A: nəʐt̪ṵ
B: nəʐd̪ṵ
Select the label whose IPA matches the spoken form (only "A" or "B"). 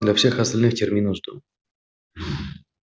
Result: B